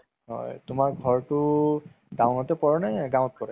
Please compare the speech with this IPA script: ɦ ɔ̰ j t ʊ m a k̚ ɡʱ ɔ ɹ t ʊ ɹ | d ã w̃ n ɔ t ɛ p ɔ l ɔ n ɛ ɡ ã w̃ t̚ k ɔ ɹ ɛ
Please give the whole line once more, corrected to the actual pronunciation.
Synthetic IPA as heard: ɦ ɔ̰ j t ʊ m a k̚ ɡʱ ɔ ɹ t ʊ | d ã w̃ n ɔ t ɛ p ɔ ɹ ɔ n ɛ ɡ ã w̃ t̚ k ɔ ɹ ɛ

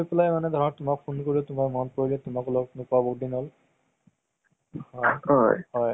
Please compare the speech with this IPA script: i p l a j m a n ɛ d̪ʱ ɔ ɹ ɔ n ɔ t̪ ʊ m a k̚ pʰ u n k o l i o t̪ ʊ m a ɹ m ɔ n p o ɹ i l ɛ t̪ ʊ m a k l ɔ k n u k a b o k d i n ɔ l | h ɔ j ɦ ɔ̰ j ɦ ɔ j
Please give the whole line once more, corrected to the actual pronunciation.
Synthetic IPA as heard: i p l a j m a n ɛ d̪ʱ ɔ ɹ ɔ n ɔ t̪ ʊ m a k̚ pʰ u n k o ɹ i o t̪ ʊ m a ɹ m ɔ n p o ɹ i l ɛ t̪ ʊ m a k l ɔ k n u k a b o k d i n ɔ l | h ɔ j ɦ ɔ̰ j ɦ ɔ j

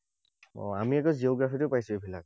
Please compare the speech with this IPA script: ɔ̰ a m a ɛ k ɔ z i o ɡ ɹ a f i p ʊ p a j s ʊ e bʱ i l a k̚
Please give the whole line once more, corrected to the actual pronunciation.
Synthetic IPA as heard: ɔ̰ a m i ɛ k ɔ z i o ɡ ɹ a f i t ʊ p a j s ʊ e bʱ i l a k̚

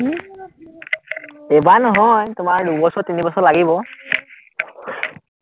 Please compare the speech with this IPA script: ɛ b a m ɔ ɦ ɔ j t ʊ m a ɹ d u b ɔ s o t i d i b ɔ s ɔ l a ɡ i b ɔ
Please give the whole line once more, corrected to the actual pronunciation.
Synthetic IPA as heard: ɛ b a n ɔ ɦ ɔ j t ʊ m a ɹ d u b ɔ s ɔ t i n i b ɔ s ɔ l a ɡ i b ɔ

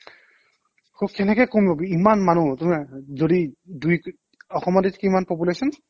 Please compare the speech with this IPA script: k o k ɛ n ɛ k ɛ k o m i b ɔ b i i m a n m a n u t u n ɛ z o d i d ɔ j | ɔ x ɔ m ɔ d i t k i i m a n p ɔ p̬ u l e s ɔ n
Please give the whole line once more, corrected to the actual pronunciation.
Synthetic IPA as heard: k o k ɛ n ɛ k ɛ k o m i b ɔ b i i m a n m a n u t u m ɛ z o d i d u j | ɔ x ɔ m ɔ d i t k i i m a n p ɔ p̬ u l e s ɔ n

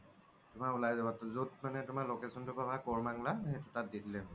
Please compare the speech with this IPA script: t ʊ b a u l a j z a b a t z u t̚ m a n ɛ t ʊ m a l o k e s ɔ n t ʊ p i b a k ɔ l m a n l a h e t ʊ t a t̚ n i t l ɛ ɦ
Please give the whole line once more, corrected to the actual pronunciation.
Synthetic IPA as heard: t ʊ m a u l a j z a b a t z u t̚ m a n ɛ t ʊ m a l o k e s ɔ n t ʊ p a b a k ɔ ɹ m a ŋ l a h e t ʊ t a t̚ d i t l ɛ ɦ

